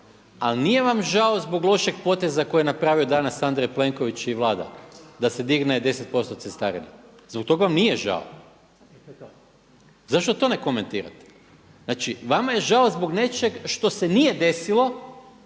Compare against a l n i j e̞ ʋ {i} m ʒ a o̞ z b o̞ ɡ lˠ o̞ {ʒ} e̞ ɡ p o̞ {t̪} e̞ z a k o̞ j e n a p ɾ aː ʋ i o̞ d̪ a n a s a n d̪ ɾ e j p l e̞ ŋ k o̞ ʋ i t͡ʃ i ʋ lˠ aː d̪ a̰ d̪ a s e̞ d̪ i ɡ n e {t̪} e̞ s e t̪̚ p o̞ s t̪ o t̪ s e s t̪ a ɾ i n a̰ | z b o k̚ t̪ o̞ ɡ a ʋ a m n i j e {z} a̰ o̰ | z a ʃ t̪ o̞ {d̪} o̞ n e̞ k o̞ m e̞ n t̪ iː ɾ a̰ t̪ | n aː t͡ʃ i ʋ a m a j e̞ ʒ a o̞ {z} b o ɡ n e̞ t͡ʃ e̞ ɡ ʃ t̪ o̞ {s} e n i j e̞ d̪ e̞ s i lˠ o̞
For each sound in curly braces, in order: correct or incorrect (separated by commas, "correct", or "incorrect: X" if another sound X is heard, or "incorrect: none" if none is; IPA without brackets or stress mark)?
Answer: incorrect: a, incorrect: ʃ, correct, incorrect: d̪, incorrect: ʒ, incorrect: t̪, correct, correct